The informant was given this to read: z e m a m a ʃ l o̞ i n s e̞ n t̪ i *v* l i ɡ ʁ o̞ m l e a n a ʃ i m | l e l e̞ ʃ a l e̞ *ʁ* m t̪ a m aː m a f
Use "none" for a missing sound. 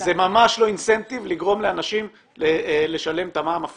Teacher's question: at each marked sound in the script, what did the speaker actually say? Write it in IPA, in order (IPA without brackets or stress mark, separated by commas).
v, none